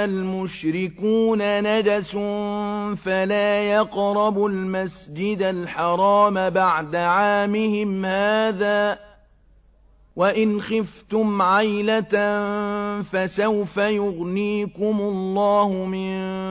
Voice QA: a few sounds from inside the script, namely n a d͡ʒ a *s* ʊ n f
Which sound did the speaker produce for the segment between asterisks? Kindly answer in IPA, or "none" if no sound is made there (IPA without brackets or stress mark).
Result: s